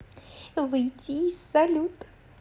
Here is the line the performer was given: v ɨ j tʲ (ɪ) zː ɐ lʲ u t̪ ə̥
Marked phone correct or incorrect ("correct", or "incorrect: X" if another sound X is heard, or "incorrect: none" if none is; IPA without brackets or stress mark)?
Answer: incorrect: i